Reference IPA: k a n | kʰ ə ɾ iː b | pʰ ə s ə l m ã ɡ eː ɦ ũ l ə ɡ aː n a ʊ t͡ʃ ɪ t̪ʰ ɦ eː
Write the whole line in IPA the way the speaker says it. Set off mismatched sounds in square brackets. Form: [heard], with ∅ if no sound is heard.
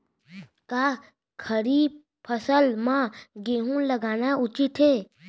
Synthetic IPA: k a [∅] | kʰ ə ɾ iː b | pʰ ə s ə l m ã ɡ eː ɦ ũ l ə ɡ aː n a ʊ t͡ʃ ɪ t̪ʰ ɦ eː